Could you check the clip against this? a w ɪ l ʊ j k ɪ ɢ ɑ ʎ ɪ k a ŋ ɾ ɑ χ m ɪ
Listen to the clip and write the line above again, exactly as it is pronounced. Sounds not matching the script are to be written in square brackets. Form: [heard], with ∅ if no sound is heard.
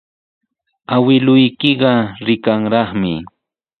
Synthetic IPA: a w ɪ l ʊ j k ɪ ɢ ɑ [ɾ] ɪ k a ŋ ɾ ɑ χ m ɪ